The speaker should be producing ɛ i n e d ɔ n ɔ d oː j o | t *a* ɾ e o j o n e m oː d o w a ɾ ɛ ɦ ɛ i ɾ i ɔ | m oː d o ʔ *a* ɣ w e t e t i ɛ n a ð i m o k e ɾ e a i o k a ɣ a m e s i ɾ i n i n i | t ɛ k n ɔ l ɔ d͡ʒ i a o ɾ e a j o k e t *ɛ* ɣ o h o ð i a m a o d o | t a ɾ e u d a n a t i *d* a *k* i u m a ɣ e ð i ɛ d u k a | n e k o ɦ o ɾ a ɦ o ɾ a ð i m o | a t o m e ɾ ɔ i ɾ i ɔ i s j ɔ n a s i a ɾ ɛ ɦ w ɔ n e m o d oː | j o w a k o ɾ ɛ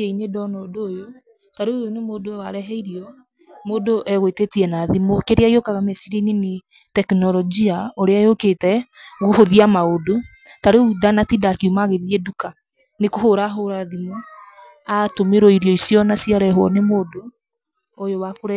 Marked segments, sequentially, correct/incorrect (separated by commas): correct, incorrect, correct, correct, correct